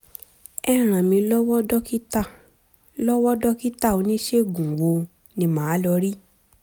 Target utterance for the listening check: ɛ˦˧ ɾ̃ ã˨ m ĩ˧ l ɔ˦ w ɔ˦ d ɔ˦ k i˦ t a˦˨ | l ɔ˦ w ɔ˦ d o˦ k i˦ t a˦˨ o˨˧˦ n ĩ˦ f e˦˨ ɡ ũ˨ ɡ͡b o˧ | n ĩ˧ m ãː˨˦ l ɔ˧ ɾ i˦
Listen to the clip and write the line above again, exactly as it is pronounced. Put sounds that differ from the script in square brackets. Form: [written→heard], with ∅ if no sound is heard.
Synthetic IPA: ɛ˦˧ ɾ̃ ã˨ m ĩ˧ l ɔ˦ w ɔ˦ d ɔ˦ k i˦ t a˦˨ | l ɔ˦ w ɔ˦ d [o˦→ɔ˦] k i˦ t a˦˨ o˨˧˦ n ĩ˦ [f→ʃ] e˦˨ ɡ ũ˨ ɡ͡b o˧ | n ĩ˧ m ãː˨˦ l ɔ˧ ɾ i˦